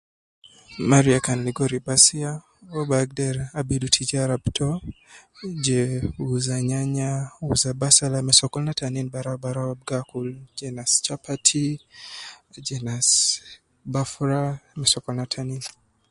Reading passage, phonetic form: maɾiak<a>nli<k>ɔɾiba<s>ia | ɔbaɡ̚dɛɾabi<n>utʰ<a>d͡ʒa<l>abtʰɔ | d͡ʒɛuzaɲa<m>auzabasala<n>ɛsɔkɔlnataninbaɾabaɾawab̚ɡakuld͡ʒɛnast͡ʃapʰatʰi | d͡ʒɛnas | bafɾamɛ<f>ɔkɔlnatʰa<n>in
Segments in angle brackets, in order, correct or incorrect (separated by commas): correct, incorrect, correct, incorrect, incorrect, incorrect, incorrect, incorrect, incorrect, correct